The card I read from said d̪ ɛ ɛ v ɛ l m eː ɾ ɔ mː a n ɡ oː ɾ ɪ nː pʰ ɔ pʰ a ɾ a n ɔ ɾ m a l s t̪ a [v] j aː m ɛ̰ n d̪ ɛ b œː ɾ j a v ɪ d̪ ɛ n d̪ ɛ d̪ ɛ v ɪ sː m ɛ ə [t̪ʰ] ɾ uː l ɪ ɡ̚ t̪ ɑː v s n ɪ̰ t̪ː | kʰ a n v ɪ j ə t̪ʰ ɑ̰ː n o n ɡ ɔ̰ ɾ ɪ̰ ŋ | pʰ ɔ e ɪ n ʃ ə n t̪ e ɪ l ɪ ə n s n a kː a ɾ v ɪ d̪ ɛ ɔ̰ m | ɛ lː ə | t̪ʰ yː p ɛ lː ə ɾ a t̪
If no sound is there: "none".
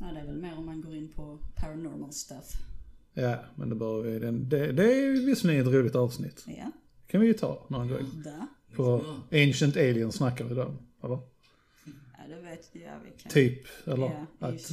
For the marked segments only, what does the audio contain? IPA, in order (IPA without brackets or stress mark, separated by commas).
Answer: f, t̪